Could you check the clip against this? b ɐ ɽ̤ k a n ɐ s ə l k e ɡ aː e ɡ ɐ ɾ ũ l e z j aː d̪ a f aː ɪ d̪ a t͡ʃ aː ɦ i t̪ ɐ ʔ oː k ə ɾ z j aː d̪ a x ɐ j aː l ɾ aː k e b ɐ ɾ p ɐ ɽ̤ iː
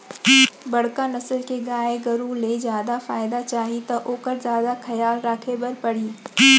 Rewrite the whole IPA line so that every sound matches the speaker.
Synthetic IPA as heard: b ɐ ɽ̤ k a n ɐ s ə l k e ɡ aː e ɡ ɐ ɾ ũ l e z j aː d̪ a f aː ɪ d̪ a t͡ʃ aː ɦ i t̪ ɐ ʔ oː k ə ɾ z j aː d̪ a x ɐ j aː l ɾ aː kʰ e b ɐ ɾ p ɐ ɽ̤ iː